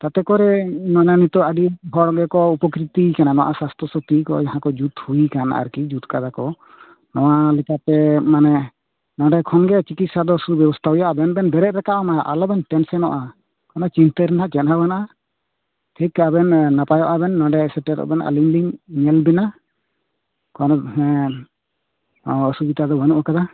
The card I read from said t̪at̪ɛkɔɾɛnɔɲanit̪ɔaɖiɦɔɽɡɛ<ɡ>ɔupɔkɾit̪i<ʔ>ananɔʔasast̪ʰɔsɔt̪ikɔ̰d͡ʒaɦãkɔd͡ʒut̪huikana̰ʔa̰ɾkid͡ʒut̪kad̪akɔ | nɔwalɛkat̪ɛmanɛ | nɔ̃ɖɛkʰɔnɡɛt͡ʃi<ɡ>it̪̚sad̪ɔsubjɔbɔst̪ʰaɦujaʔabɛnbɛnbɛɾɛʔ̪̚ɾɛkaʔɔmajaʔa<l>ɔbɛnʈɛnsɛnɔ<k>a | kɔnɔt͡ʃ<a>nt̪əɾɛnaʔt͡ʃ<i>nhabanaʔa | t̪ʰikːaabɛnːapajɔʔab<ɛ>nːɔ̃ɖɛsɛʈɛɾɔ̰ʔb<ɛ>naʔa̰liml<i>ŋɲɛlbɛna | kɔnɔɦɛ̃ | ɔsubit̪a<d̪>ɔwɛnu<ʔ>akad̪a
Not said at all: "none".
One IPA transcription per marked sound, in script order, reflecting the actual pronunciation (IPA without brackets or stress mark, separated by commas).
k, k, k, l, ʔ, i, ɛ, ɛ, ɛ, i, d̪, ʔ